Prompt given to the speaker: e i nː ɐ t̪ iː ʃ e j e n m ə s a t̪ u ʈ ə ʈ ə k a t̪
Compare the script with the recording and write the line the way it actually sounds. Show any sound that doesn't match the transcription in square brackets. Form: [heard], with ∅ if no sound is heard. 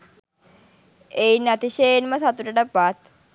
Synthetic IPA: e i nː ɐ t̪ [i] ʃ e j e n m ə s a t̪ u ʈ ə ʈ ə [p] a t̪

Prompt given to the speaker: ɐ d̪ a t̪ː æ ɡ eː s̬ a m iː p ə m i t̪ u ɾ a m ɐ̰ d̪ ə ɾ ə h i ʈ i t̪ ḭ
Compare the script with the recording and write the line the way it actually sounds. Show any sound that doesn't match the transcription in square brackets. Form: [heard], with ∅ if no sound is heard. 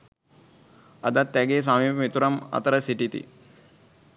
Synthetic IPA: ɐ d̪ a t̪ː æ ɡ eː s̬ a m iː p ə m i t̪ u ɾ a m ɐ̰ [t̪] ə ɾ ə [s] i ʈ i t̪ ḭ

